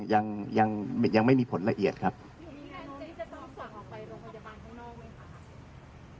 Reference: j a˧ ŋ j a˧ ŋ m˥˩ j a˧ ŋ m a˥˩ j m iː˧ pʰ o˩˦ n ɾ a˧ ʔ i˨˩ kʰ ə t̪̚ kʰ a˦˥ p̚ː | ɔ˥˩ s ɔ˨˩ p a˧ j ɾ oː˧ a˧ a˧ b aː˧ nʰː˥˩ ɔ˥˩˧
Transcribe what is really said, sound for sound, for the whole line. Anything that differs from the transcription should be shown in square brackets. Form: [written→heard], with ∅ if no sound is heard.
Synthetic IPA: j a˧ ŋ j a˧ ŋ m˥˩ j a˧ ŋ m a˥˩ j m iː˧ pʰ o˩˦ n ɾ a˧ ʔ i˨˩ [kʰ→∅] ə t̪̚ kʰ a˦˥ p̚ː | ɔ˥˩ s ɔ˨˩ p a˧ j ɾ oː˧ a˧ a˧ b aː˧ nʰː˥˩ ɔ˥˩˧